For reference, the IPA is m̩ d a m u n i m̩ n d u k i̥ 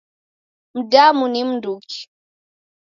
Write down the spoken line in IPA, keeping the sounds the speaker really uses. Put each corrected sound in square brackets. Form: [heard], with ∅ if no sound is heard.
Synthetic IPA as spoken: m̩ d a m u n i m̩ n d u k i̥